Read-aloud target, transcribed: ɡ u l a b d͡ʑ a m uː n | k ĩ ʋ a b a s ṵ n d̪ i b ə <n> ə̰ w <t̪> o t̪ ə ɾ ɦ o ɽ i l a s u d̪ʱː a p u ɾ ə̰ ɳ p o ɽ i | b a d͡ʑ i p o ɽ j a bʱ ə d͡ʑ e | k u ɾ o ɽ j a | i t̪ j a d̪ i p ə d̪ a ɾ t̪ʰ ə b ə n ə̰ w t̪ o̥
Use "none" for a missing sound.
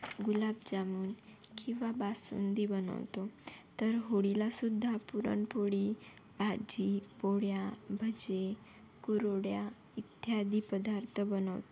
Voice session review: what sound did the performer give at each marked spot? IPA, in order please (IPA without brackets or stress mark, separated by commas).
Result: n, t̪